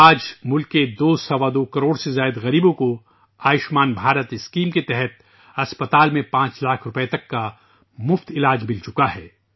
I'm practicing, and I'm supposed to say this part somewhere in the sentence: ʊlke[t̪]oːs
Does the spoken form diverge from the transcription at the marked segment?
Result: yes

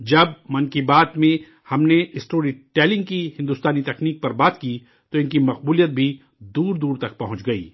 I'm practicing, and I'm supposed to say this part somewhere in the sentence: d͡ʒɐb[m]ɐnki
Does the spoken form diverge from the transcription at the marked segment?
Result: no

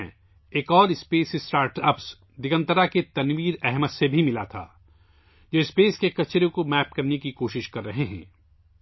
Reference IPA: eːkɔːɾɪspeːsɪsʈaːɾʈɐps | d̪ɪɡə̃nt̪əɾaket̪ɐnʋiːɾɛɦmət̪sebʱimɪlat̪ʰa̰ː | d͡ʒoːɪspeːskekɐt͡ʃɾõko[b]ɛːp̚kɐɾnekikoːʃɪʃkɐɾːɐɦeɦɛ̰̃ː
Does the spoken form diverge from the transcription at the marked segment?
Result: yes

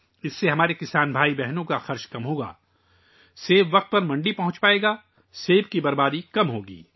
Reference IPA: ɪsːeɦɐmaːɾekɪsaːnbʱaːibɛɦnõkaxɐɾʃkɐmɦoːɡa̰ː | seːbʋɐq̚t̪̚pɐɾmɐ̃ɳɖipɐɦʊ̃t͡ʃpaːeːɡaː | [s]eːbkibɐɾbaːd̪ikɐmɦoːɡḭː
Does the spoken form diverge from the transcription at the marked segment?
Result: no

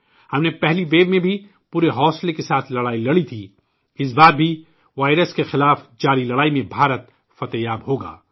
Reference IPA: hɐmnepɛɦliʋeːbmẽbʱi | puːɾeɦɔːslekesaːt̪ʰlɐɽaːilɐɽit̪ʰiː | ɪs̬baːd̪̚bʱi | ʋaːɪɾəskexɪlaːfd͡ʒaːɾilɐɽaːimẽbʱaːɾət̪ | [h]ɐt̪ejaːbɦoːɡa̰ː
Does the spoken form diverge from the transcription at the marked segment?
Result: yes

